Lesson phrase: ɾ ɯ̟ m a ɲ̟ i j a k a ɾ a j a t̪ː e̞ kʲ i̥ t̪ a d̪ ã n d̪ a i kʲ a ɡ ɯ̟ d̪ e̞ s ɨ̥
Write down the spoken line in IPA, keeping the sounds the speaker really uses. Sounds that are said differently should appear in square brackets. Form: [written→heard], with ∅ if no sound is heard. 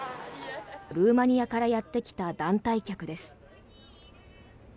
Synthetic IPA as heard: ɾ [ɯ̟→ɯ̟ː] m a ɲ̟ i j a k a ɾ a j a t̪ː e̞ kʲ i̥ t̪ a d̪ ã n [d̪→t̪] a i kʲ a [ɡ→k] ɯ̟ d̪ e̞ s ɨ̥